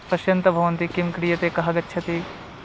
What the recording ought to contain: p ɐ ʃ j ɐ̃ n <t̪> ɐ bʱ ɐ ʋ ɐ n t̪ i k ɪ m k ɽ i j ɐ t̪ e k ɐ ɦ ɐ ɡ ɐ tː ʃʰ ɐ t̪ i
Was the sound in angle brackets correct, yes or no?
yes